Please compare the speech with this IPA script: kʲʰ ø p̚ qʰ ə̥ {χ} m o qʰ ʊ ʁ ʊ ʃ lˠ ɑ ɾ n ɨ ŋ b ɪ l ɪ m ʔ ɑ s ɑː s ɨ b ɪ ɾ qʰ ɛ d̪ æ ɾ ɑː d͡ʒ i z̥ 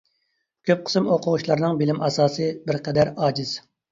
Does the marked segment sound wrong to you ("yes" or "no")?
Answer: yes